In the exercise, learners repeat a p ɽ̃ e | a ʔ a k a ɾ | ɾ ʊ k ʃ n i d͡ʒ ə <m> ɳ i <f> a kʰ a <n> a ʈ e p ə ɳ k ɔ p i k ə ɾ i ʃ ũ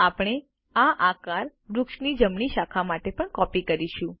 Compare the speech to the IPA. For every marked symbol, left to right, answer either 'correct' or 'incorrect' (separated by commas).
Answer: correct, incorrect, incorrect